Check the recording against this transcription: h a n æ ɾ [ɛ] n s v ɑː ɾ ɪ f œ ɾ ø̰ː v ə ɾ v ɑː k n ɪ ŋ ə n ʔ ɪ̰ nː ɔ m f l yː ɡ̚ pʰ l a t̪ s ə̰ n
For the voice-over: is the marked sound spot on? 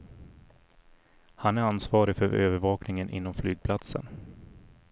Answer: no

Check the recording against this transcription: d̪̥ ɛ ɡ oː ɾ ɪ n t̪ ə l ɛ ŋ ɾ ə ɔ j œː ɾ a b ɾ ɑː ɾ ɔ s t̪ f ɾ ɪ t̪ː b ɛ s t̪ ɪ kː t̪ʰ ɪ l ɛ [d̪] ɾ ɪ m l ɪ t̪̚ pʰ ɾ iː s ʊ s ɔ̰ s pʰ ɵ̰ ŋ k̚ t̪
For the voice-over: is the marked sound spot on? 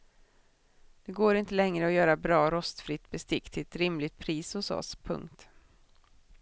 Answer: no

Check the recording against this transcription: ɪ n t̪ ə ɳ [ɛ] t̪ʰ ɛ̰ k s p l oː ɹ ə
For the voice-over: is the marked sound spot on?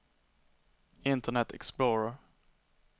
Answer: yes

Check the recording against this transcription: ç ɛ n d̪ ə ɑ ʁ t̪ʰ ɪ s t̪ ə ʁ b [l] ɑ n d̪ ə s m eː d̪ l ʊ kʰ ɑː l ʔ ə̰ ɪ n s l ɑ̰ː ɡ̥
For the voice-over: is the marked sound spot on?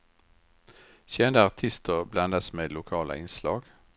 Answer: yes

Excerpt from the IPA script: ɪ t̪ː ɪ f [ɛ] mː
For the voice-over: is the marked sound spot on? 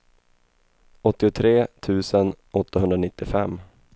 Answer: yes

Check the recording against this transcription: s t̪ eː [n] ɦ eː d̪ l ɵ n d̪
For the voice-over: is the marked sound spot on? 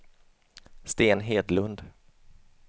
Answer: yes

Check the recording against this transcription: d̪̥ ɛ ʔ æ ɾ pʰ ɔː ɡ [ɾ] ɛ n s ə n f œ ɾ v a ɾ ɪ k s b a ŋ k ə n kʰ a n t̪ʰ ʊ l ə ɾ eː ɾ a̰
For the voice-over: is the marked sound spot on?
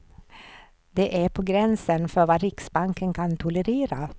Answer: yes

